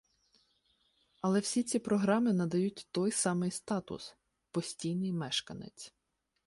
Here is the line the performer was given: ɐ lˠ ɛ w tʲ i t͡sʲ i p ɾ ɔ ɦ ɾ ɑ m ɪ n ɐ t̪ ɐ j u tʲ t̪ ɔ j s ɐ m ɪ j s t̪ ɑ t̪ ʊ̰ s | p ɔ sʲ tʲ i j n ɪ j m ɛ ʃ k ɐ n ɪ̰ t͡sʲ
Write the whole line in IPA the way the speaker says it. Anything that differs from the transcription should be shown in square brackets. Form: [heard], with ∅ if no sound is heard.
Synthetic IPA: ɐ lˠ ɛ w [sʲ] i t͡sʲ i p ɾ ɔ ɦ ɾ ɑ m ɪ n ɐ [d̪] ɐ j u tʲ t̪ ɔ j s [ɑ] m ɪ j s t̪ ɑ t̪ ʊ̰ s | p ɔ sʲ tʲ i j n ɪ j m ɛ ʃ k ɐ n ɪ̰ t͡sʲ